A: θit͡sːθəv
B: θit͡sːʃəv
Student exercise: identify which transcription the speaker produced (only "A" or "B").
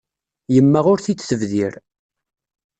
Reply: A